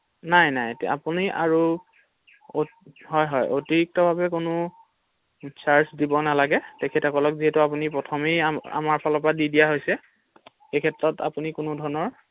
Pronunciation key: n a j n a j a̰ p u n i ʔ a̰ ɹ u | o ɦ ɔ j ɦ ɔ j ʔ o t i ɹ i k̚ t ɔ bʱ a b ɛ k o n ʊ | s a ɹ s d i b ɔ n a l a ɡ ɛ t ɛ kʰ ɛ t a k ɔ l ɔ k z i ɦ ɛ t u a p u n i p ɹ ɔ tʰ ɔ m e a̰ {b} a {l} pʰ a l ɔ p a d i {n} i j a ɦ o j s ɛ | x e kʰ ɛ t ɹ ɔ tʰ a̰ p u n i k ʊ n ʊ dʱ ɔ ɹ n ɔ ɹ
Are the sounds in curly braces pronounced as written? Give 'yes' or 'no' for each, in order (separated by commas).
no, no, no